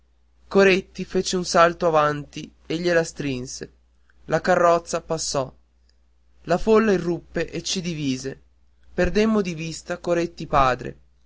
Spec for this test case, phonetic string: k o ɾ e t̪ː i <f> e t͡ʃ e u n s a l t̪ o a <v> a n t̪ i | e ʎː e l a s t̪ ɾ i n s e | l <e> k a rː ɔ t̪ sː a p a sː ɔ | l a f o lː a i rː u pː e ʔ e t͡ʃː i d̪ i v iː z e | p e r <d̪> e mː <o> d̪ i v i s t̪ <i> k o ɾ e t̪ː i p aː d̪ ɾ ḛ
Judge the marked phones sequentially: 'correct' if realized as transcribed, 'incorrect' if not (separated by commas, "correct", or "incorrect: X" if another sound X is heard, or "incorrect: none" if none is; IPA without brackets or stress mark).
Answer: correct, correct, incorrect: a, correct, correct, incorrect: a